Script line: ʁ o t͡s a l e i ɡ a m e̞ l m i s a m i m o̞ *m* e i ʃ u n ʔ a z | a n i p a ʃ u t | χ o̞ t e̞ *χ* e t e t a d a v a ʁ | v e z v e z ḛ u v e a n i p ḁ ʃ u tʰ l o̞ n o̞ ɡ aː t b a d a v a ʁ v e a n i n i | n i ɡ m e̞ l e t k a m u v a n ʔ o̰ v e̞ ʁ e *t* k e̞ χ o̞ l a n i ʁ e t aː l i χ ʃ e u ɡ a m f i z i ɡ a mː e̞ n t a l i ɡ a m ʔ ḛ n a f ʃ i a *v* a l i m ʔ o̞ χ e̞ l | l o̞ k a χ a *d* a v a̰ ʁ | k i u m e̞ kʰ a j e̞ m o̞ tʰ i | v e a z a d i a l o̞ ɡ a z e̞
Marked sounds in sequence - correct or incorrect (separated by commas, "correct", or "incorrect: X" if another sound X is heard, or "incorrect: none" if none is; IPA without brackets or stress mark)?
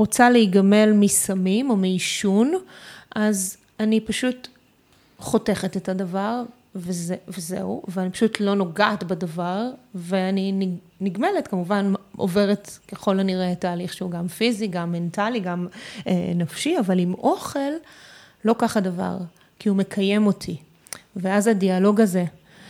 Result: correct, correct, correct, correct, correct